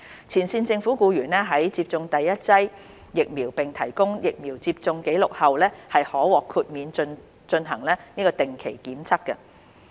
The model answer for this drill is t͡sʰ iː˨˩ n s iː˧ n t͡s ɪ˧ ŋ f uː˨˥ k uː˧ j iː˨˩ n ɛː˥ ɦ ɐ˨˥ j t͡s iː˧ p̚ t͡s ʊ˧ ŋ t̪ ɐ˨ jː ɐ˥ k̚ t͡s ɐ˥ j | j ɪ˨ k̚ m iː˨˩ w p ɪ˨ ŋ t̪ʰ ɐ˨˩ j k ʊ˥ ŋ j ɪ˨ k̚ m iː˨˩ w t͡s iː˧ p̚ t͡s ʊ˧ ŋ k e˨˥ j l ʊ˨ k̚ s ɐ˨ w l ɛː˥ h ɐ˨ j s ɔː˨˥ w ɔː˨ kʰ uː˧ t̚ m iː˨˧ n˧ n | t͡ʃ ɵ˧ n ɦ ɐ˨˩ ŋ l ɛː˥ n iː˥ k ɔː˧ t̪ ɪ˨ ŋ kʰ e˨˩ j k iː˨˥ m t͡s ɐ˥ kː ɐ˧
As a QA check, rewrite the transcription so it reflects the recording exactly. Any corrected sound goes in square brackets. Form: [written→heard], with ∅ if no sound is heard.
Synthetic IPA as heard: t͡sʰ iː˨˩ n s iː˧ n t͡s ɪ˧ ŋ f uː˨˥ k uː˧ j [iː˨˩→yː˨˩] n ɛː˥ ɦ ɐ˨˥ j t͡s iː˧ p̚ t͡s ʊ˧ ŋ t̪ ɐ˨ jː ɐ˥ [k̚→t̚] t͡s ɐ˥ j | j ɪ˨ k̚ m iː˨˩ w p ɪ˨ ŋ t̪ʰ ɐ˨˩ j k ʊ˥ ŋ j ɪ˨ k̚ m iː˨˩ w t͡s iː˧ p̚ t͡s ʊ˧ ŋ k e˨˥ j l ʊ˨ k̚ [s→h] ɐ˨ w l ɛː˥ h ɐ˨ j [s→h] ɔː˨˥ w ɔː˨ kʰ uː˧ t̚ m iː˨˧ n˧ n | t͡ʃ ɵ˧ n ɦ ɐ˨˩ ŋ l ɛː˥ n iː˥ k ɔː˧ t̪ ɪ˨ ŋ kʰ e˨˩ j k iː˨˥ m [t͡s→t͡sʰ] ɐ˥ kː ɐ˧